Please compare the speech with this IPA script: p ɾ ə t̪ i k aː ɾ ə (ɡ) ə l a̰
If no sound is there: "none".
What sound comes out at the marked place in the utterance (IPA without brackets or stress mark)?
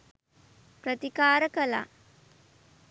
k